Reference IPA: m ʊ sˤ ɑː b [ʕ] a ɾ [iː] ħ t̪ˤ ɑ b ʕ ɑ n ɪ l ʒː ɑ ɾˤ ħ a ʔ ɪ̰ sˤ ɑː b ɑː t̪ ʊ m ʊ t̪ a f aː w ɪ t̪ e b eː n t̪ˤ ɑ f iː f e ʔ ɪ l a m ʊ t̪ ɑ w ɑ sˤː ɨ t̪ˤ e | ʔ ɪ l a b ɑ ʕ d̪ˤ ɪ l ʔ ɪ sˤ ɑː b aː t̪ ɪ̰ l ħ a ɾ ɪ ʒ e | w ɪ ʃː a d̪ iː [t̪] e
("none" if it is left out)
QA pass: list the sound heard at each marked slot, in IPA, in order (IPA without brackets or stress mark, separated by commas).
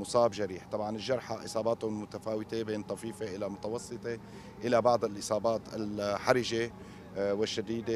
ʒ, iː, d̪